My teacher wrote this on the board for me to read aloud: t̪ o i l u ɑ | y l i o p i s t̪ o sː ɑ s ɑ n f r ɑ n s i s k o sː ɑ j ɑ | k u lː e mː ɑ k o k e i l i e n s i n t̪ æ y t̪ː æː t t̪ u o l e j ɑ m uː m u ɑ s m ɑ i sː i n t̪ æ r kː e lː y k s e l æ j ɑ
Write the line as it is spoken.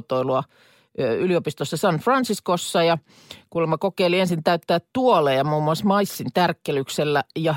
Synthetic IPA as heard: t̪ o i l u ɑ | y l i o p i s t̪ o sː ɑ s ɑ n f r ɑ n s i s k o sː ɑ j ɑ | k u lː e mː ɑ k o k e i l i e n s i n t̪ æ y t̪ː æː t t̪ u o l e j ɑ m uː m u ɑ s m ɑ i sː i n t̪ æ r kː e l y k s e lː æ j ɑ